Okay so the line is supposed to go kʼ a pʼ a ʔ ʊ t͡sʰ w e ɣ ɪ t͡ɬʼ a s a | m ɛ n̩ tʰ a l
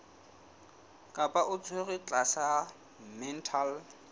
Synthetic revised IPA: kʼ a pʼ a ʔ ʊ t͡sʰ w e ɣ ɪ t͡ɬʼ a s a | m ɛ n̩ tʰ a l